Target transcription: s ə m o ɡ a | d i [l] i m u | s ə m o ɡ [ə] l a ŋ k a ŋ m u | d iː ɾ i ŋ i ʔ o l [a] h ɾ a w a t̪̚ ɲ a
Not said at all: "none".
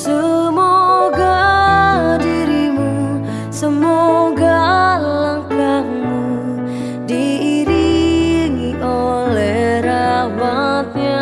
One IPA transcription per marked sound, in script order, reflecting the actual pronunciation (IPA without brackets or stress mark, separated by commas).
ɾ, a, ɛ